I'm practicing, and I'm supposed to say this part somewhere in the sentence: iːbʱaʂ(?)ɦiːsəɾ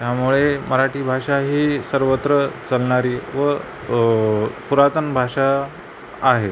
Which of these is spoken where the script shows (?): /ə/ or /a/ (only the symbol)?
a